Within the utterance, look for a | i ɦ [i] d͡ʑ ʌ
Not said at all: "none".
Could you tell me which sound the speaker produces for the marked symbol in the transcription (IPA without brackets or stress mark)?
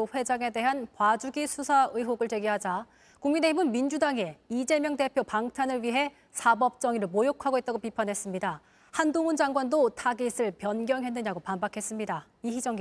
i